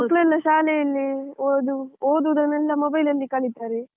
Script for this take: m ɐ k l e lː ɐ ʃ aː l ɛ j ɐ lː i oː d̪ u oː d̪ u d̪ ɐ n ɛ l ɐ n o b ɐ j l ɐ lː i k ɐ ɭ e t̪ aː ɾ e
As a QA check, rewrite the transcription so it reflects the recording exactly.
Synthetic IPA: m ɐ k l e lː ɐ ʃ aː l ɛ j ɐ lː i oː d̪ u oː d̪ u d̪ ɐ n ɛ lː ɐ m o b ɐ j l ɐ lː i k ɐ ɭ i t̪ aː ɾ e